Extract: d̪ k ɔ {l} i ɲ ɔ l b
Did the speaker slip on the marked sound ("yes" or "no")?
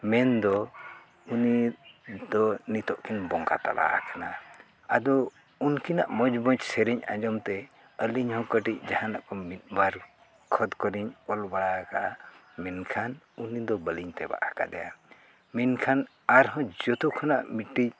yes